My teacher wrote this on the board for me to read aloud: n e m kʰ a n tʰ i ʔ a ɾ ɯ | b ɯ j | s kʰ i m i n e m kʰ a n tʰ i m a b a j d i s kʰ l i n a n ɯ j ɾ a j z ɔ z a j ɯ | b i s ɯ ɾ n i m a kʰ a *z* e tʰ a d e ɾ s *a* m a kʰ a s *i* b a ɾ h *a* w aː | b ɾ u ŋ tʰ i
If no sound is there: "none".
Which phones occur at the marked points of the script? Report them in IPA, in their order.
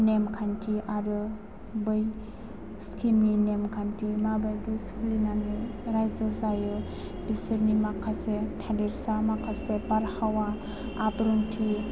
s, a, e, a

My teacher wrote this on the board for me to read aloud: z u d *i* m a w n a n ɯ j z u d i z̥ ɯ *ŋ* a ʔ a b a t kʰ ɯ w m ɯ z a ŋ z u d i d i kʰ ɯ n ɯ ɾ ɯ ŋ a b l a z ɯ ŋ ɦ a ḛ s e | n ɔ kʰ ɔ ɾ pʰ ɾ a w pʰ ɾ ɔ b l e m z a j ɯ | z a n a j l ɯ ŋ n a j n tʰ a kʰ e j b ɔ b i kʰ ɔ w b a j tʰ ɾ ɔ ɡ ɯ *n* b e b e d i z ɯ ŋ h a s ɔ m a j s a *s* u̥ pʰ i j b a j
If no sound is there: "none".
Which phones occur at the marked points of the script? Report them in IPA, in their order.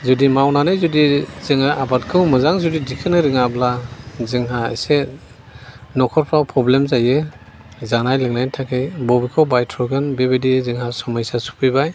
i, ŋ, n, s

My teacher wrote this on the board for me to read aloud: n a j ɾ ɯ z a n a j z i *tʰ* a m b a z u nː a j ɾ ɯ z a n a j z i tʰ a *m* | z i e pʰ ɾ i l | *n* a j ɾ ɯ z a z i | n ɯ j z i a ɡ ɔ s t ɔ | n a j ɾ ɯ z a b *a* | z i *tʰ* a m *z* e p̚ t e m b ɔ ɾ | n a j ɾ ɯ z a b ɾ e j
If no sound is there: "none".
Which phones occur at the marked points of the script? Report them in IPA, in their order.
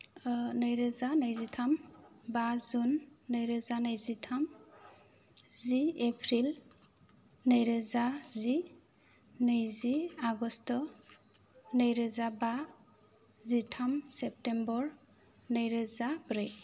tʰ, m, n, a, tʰ, s

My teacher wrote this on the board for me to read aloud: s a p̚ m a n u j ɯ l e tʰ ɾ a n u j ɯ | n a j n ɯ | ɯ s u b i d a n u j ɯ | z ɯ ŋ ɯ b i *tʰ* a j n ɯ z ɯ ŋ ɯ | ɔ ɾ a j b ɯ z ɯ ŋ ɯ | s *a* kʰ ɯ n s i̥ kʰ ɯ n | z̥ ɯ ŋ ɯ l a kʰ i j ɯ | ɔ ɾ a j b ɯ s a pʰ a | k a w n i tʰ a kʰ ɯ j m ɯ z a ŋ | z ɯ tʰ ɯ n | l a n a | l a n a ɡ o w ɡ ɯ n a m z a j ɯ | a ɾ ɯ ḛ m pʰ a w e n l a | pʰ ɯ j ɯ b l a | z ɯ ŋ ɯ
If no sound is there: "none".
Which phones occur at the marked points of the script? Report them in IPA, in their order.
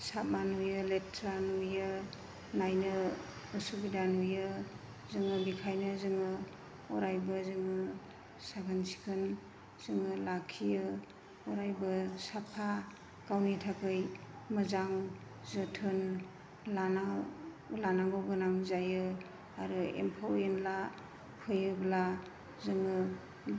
kʰ, a

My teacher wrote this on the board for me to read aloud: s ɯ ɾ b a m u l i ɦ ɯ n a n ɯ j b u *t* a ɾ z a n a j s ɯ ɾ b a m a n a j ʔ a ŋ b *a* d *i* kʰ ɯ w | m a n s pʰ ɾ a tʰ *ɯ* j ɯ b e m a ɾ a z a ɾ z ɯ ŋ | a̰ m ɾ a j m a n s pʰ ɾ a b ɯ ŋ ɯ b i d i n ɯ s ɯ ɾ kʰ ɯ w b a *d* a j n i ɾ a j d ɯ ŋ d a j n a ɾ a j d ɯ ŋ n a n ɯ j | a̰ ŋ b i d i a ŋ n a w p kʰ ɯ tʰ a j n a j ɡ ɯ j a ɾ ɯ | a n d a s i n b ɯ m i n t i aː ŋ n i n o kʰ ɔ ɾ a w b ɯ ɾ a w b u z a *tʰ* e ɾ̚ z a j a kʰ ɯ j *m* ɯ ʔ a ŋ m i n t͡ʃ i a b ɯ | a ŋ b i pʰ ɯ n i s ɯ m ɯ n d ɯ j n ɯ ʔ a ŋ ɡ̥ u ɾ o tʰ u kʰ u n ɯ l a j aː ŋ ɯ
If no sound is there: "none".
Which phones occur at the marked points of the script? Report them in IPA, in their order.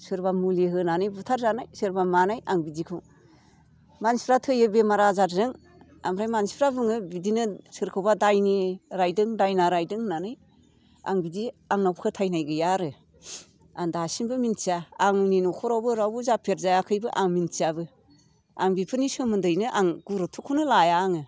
tʰ, i, i, ɯ, d, pʰ, b

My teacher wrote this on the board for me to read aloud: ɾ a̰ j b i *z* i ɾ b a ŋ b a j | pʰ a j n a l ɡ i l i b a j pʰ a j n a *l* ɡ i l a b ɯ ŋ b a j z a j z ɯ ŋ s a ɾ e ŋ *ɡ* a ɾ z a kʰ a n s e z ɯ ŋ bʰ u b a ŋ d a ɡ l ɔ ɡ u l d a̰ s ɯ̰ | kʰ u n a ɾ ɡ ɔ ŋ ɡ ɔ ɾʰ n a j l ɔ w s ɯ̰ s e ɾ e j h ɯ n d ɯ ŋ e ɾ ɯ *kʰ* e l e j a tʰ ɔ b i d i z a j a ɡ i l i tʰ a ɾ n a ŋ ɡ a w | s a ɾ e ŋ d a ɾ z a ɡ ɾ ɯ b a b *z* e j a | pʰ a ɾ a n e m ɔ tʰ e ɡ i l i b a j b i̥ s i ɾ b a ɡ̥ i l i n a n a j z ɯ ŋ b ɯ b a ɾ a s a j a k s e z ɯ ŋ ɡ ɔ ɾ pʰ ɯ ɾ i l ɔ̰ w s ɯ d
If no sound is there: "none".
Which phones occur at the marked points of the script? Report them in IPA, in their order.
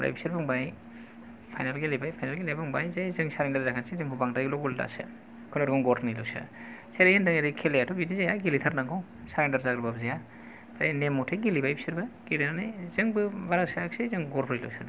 s, l, d, kʰ, z

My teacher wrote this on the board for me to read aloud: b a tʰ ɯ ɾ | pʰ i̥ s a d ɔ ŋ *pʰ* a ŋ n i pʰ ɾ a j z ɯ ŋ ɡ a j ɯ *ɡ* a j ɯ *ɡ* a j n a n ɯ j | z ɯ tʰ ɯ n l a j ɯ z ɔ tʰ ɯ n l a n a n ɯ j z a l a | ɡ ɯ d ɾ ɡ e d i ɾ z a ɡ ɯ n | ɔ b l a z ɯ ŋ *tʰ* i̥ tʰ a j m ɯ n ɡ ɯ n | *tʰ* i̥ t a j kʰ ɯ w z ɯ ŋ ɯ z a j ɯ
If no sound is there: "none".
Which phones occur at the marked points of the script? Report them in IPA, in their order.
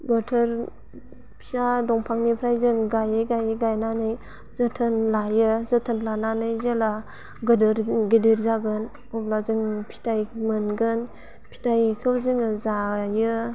pʰ, ɡ, ɡ, pʰ, pʰ

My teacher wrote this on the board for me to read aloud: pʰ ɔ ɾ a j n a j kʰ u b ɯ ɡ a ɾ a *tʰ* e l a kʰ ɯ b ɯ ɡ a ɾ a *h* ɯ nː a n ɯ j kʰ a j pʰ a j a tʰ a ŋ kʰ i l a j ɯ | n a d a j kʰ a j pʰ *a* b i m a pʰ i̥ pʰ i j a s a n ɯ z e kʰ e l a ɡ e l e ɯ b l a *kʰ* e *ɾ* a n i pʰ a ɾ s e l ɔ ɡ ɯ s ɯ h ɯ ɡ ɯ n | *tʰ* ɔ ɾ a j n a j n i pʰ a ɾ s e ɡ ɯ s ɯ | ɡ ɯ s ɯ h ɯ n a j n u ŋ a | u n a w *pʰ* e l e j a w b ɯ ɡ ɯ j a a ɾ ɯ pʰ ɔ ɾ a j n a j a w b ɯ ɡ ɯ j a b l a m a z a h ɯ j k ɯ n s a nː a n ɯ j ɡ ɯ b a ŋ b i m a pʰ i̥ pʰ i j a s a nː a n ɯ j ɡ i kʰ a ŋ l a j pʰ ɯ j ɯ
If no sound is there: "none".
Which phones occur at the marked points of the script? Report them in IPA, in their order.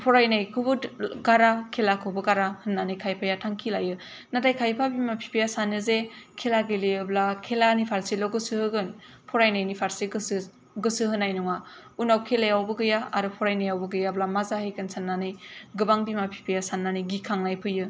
kʰ, h, a, kʰ, l, pʰ, kʰ

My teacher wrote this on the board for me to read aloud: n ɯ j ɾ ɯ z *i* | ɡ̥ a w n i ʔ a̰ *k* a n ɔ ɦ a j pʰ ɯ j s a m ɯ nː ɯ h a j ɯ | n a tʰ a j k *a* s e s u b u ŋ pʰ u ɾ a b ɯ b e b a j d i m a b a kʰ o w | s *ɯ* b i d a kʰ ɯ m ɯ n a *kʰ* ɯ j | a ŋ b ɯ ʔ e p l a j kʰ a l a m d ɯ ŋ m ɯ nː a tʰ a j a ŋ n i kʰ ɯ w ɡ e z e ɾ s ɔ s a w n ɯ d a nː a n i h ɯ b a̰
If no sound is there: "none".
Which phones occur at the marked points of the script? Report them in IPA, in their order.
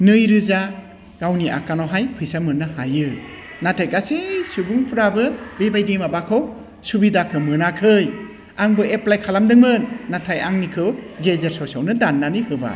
a, k, a, u, kʰ

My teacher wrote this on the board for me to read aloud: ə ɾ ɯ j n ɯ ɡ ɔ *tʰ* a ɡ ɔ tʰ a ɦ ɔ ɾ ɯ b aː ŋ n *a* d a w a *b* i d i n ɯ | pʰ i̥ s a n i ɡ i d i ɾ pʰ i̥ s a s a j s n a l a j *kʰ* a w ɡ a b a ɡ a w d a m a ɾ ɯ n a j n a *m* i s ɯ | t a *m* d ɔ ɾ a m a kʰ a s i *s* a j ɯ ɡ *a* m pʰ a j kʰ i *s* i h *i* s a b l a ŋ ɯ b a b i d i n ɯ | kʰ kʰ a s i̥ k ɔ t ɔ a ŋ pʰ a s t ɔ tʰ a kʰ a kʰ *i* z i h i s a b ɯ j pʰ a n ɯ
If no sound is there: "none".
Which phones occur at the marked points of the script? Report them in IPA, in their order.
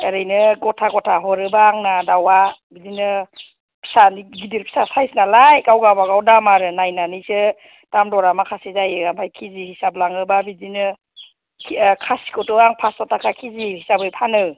tʰ, a, b, k, n, m, z, a, z, i, i

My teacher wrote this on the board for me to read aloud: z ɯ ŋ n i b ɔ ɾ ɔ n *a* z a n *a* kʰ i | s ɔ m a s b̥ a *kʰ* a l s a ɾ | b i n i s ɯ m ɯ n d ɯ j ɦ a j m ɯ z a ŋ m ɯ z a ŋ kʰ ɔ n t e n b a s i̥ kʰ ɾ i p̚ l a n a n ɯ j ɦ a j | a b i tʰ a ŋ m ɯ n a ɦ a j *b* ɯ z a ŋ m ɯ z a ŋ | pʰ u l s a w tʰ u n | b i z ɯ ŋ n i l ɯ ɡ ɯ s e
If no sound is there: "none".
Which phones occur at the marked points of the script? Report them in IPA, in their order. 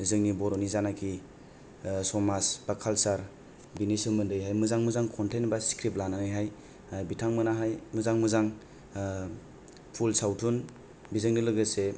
i, a, kʰ, m

